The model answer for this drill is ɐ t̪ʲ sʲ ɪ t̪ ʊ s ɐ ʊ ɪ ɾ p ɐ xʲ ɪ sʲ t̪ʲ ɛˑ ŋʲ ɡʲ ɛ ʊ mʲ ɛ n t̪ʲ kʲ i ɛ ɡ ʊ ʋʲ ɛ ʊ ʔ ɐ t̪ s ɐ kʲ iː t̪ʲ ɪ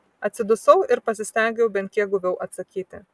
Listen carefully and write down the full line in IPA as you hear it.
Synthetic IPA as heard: ɐ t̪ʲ sʲ ɪ d̪ ʊ s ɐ ʊ ɪ ɾ p ɐ sʲ ɪ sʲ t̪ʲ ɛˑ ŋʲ ɡʲ ɛ ʊ bʲ ɛ n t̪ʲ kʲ i ɛ ɡ ʊ ʋʲ ɛ ʊ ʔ ɐ t̪ s ɐ kʲ iː t̪ʲ ɪ

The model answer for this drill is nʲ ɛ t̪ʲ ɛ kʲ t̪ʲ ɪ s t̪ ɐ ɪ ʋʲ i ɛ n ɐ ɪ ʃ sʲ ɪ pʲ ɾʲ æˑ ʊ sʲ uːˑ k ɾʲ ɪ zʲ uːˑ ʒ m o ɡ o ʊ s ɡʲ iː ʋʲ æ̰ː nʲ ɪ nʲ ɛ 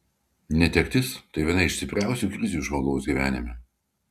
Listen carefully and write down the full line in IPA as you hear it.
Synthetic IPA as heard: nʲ ɛ t̪ʲ ɛ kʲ t̪ʲ ɪ s t̪ ɐ ɪ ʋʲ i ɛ n ɐ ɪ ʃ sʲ ɪ pʲ ɾʲ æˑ ʊ sʲ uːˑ k ɾʲ ɪ zʲ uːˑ ʒ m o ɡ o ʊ s ɡʲ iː ʋʲ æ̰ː nʲ ɪ mʲ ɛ

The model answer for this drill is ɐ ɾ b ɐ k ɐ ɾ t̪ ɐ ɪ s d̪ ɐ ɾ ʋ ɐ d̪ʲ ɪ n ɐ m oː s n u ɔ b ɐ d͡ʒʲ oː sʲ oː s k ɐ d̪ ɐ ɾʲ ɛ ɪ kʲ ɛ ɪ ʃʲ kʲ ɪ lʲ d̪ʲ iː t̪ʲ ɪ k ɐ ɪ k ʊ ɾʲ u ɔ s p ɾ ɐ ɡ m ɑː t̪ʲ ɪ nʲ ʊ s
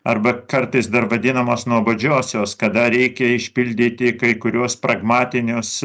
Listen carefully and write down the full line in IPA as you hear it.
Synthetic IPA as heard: ɐ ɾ b ɐ k ɐ ɾ t̪ ɐ ɪ s d̪ ɐ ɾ ʋ ɐ d̪ʲ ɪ n ɐ m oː s n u ɔ b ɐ d͡ʒʲ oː sʲ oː s k ɐ d̪ ɐ ɾʲ ɛ ɪ kʲ ɛ ɪ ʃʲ pʲ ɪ lʲ d̪ʲ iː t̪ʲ ɪ k ɐ ɪ k ʊ ɾʲ u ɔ s p ɾ ɐ ɡ m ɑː t̪ʲ ɪ nʲ ʊ s

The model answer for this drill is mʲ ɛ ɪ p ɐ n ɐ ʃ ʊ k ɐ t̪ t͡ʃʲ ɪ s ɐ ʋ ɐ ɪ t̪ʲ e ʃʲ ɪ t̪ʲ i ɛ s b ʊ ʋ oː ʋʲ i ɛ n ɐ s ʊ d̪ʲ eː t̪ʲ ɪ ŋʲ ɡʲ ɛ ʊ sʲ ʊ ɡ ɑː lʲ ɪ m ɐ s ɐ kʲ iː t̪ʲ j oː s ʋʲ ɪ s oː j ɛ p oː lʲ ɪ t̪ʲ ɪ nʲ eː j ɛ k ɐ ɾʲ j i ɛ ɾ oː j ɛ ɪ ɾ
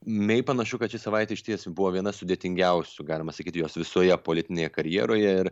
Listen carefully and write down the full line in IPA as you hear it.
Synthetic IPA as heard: mʲ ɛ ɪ p ɐ n ɐ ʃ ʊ k ɐ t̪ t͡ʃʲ ɪ s ɐ ʋ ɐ ɪ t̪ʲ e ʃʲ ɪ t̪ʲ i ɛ s b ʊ ʋ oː ʋʲ i ɛ n ɐ s ʊ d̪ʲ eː t̪ʲ ɪ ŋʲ ɡʲ ɛ ʊ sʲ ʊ ɡ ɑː lʲ ɪ m ɐ s ɐ kʲ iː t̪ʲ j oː s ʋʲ ɪ s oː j ɛ p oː lʲ ɪ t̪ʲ ɪ nʲ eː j ɛ k ɐ ɾʲ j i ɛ ɾ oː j ɛ ɪ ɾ

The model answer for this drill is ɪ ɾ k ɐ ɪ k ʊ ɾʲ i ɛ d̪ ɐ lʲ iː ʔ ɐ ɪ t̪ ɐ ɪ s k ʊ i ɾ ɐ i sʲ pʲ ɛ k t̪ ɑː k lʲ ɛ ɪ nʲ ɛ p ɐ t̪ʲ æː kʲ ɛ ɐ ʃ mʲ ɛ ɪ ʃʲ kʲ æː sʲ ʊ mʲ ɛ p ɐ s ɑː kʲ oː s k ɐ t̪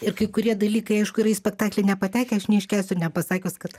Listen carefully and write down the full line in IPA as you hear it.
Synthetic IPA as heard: ɪ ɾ k ɐ ɪ k ʊ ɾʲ i ɛ d̪ ɐ lʲ iː k ɐ ɪ ɐ ɪ ʃ k ʊ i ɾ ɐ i sʲ pʲ ɛ k t̪ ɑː k lʲ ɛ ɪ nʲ ɛ p ɐ t̪ʲ æː kʲ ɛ ɐ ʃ nʲ ɛ ɪ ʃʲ kʲ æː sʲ ʊ nʲ ɛ p ɐ s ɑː kʲ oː s k ɐ t̪

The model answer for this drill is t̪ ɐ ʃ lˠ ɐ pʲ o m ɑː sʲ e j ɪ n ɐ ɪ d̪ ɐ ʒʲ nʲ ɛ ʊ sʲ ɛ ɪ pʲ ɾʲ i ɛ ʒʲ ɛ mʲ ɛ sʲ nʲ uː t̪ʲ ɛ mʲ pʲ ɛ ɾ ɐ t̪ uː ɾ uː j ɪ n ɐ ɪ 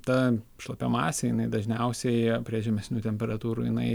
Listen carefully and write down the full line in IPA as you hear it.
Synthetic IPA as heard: t̪ ɐ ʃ lˠ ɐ pʲ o m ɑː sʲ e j ɪ n ɐ ɪ d̪ ɐ ʒʲ nʲ ɛ ʊ sʲ ɛ ɪ pʲ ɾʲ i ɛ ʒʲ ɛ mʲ ɛ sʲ nʲ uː t̪ʲ ɛ mʲ pʲ ɛ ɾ ɐ t̪ uː ɾ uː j ɪ n ɐ ɪ

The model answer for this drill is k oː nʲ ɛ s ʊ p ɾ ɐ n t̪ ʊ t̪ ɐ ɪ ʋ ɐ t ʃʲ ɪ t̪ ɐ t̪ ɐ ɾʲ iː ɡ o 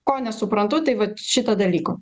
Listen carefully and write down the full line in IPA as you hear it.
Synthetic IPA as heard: k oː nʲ ɛ s ʊ p ɾ ɐ n t̪ ʊ t̪ ɐ ɪ ʋ ɐ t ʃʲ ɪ t̪ ɐ d̪ ɐ lʲ iː k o

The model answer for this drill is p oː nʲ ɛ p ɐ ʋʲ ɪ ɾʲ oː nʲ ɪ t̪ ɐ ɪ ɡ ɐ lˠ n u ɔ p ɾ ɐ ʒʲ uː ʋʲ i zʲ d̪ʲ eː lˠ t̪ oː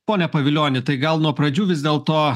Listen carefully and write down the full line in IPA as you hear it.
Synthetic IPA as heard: p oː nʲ ɛ p ɐ ʋʲ ɪ lʲ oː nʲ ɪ t̪ ɐ ɪ ɡ ɐ lˠ n u ɔ p ɾ ɐ d͡ʒʲ uː ʋʲ ɪ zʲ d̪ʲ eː lˠ t̪ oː

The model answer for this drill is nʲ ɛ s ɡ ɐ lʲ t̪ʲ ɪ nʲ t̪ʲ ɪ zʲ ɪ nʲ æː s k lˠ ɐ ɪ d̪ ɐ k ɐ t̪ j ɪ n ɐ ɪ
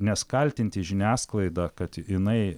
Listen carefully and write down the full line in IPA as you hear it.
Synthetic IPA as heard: nʲ ɛ s k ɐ lʲ t̪ʲ ɪ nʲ t̪ʲ ɪ ʒʲ ɪ nʲ æː s k lˠ ɐ ɪ d̪ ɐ k ɐ t̪ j ɪ n ɐ ɪ

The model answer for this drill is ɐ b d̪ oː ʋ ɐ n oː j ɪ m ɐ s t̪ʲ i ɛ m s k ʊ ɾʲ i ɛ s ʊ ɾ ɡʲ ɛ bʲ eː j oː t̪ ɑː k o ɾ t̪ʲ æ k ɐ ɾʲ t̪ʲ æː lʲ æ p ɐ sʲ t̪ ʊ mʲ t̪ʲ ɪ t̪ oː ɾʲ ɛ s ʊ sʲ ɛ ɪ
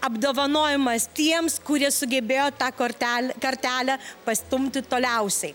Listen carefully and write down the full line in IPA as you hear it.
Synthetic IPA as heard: ɐ b d̪ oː ʋ ɐ n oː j ɪ m ɐ s t̪ʲ i ɛ m s k ʊ ɾʲ i ɛ s ʊ ɡʲ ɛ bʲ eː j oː t̪ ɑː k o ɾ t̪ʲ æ k ɐ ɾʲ t̪ʲ æː lʲ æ p ɐ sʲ t̪ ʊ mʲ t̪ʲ ɪ t̪ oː lʲ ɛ ʊ sʲ ɛ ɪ

